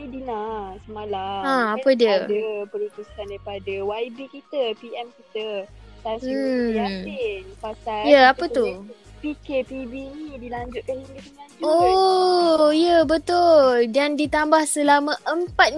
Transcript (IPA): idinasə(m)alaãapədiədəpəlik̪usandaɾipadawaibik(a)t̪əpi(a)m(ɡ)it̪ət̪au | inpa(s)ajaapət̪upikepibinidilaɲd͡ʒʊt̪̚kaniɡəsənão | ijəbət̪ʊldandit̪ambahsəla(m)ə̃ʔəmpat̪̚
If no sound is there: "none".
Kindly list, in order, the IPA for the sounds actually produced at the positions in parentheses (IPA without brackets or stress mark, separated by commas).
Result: m, i, ɛ, k, s, m